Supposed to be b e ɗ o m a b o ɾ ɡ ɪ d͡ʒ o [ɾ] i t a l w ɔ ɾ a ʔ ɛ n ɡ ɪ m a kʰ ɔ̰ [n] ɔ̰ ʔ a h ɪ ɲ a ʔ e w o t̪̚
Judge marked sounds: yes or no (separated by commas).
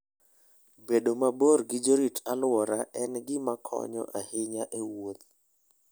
yes, no